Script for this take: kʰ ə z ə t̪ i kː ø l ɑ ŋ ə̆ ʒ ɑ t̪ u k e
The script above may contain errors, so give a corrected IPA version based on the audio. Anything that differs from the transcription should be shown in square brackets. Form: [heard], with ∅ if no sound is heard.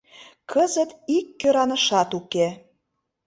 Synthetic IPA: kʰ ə z ə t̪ i kː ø [ɾ] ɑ [n] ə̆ [ʃ] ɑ t̪ u k e

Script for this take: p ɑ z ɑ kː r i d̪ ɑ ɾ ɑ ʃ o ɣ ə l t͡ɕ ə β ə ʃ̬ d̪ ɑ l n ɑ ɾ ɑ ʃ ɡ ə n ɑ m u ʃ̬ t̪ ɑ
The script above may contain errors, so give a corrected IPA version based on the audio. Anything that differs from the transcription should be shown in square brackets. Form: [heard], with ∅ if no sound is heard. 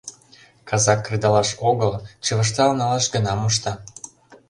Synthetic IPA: [k] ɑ z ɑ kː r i d̪ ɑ [l] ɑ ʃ o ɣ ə l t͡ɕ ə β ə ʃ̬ [t̪] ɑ l n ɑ [l] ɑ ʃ ɡ ə n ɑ m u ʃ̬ t̪ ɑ

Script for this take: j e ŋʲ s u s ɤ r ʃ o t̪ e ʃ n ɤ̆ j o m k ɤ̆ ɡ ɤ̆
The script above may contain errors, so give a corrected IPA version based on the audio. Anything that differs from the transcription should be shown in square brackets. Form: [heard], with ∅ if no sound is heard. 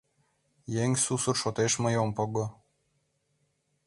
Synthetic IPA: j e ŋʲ s u s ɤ r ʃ o t̪ e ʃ [m] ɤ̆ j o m [p] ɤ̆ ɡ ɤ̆

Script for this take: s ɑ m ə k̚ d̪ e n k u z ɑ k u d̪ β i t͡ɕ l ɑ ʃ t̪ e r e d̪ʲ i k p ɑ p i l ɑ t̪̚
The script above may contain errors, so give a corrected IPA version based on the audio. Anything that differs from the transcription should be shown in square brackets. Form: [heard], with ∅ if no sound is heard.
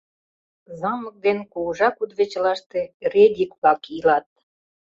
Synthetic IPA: [z] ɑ m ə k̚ d̪ e n k u [ʒ] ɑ k u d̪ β [e] t͡ɕ l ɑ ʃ t̪ e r e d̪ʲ i k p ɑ [k] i l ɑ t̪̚

